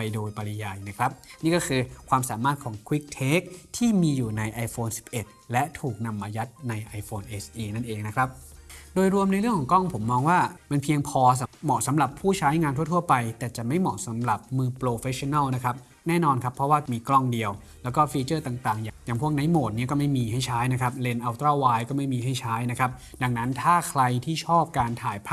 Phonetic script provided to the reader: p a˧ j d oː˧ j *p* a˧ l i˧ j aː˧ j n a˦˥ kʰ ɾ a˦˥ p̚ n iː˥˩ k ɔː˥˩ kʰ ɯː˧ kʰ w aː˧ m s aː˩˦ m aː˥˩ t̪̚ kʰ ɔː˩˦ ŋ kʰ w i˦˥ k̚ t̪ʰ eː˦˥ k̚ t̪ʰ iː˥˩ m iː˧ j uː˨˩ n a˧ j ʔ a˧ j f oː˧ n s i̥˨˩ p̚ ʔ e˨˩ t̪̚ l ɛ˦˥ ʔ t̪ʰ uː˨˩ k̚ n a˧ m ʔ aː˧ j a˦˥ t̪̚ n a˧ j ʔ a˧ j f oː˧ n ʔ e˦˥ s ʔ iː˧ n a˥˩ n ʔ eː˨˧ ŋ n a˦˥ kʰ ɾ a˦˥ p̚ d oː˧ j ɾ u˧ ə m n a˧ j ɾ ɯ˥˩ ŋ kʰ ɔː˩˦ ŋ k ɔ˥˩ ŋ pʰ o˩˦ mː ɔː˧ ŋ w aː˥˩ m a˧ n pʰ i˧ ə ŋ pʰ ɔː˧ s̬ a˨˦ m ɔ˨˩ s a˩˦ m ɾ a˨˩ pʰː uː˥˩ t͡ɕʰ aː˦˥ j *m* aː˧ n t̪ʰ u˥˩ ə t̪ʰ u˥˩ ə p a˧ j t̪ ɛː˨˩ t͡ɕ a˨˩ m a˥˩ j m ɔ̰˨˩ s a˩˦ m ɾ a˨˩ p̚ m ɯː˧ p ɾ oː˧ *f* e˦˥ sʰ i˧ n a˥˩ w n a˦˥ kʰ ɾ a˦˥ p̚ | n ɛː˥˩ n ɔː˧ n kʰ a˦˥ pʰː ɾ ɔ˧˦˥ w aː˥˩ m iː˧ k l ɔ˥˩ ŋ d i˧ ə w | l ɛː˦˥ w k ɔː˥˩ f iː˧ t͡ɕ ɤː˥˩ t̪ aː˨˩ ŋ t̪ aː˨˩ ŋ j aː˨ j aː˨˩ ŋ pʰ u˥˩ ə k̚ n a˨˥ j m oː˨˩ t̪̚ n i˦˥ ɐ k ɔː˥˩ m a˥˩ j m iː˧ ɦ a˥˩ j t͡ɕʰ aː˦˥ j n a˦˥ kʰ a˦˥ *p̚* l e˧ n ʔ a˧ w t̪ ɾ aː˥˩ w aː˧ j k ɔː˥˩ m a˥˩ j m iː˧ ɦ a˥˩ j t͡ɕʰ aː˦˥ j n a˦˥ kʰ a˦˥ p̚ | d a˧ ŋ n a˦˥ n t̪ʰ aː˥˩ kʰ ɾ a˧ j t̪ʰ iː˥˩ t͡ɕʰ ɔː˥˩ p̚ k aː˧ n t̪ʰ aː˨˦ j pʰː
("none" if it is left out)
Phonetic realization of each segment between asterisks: p, ŋ, f, p̚

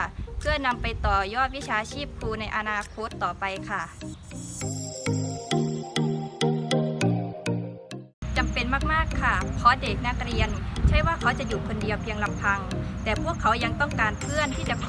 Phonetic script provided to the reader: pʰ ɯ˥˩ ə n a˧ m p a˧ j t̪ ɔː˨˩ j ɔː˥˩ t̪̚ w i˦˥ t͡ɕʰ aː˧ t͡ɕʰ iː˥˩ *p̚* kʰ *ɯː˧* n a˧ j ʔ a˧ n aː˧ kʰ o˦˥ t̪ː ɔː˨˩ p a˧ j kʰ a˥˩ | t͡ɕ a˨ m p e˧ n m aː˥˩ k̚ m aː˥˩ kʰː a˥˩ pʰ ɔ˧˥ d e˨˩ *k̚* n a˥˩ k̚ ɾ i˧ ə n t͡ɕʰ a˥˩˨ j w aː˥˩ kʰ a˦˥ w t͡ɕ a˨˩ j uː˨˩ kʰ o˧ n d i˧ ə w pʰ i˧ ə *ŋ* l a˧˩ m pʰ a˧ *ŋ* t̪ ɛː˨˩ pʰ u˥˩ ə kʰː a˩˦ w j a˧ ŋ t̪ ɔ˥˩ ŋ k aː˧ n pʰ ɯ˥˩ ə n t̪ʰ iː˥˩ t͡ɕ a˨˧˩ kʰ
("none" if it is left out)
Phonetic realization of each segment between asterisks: p̚, uː˧, k̚, ŋ, ŋ

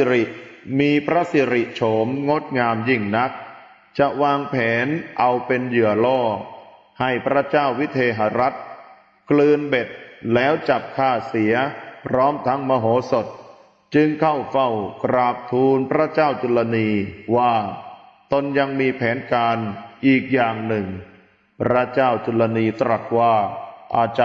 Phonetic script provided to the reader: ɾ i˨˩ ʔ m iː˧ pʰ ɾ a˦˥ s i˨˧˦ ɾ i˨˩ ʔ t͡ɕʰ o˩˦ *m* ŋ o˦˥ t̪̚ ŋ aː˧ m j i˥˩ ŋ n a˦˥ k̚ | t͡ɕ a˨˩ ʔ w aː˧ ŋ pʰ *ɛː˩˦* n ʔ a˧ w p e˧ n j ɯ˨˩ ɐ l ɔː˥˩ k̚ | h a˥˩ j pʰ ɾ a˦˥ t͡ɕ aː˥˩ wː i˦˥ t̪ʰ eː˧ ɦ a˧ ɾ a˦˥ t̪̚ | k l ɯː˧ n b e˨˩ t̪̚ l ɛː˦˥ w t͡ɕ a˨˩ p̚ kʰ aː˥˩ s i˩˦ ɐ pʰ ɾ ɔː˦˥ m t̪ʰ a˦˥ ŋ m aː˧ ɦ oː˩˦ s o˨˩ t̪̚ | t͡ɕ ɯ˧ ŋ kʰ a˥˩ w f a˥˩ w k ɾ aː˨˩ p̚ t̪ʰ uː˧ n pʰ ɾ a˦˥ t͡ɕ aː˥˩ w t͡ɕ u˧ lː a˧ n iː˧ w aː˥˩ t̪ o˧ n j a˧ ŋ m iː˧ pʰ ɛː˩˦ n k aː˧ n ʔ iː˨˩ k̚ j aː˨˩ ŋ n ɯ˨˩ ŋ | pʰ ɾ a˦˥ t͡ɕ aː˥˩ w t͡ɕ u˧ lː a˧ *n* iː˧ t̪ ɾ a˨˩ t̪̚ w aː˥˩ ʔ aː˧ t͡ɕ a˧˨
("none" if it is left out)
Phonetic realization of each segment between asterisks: m, ɛː˩˦, n

